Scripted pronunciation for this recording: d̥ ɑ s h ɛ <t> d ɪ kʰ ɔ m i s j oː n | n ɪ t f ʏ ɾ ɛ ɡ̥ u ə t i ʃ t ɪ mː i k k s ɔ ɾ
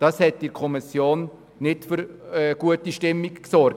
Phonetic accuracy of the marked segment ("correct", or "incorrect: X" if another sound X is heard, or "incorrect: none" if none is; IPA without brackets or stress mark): correct